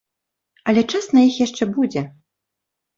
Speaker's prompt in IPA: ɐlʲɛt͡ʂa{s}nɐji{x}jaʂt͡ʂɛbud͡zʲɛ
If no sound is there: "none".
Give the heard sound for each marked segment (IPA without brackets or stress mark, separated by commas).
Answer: s, x